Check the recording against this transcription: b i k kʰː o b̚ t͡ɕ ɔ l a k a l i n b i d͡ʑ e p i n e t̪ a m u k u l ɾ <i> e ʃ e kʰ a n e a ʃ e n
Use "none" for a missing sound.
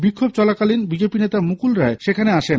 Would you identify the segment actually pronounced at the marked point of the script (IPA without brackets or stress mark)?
a